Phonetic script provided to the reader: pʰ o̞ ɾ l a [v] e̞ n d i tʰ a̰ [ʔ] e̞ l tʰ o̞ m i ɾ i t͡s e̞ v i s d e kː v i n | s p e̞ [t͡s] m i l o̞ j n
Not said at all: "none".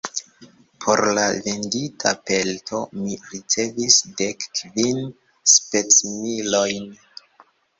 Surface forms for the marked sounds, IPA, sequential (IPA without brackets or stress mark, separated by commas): v, p, t͡s